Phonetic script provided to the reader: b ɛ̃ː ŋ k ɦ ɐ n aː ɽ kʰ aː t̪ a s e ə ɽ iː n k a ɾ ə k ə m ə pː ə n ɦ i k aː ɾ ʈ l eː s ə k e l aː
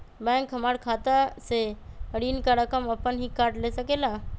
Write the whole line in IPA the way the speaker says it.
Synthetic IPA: b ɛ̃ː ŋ k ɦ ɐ m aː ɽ kʰ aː t̪ a s e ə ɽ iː n k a ɾ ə k ə m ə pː ə n ɦ i k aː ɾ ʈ l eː s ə k e l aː